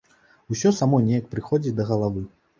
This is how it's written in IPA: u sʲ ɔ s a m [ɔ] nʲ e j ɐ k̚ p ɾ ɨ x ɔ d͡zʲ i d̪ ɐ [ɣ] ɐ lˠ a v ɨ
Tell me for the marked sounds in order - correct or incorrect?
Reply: correct, correct

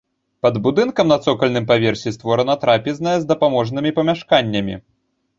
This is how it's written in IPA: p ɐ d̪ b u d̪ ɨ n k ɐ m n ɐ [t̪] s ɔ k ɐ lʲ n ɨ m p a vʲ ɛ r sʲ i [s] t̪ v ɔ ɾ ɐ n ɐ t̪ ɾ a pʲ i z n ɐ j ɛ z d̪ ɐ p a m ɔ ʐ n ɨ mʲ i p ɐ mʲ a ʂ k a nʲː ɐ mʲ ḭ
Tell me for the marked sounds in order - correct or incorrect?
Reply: correct, correct

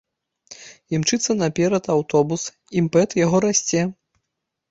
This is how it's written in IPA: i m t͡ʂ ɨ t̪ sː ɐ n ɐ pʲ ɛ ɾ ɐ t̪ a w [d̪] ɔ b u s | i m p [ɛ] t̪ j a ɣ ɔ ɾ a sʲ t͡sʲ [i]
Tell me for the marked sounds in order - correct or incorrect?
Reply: incorrect: t̪, correct, incorrect: ɛ

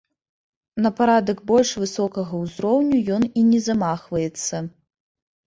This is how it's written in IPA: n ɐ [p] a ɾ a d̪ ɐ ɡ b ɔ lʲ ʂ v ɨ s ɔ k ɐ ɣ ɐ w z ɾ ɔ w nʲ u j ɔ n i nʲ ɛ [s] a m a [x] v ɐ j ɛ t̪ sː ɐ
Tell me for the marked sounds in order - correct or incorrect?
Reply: correct, incorrect: z, correct

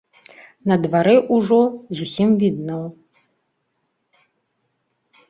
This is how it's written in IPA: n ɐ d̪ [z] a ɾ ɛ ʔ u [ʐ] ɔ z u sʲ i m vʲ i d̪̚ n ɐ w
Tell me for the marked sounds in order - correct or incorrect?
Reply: incorrect: v, correct

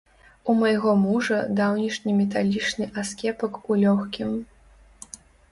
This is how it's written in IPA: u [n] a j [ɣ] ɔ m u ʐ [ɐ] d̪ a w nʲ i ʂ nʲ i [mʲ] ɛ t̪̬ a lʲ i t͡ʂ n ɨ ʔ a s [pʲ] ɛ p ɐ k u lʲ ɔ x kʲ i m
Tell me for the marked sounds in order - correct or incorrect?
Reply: incorrect: m, correct, correct, correct, incorrect: kʲ

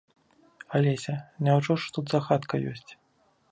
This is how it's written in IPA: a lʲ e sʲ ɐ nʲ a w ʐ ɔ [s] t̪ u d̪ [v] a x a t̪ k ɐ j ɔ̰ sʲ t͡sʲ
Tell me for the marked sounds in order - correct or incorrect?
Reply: incorrect: ʂ, incorrect: z

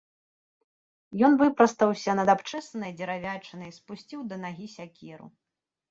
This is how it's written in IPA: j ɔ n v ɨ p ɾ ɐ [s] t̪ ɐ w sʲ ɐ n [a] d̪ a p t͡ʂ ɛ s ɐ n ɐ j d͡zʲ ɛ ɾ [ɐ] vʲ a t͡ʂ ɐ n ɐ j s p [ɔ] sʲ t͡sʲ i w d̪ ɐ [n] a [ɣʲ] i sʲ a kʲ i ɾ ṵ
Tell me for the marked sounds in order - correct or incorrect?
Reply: correct, incorrect: ɐ, incorrect: a, incorrect: u, correct, correct

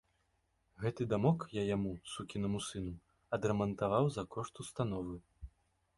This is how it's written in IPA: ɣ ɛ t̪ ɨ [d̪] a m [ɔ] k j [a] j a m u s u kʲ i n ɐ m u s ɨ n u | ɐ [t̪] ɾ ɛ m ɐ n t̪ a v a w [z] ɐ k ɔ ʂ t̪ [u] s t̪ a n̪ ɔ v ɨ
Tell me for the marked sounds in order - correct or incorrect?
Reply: correct, correct, correct, incorrect: d̪, correct, correct

